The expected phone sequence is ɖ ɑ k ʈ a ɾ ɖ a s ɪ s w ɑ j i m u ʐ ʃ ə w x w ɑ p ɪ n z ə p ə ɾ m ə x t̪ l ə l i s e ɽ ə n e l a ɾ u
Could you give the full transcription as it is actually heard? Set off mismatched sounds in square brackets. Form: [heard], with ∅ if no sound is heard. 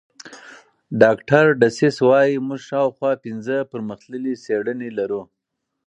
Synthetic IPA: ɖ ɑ k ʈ a ɾ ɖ a s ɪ s w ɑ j i m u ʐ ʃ [ɑ] w x w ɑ p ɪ n z ə p ə ɾ m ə x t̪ l ə l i s e ɽ ə n e l a ɾ u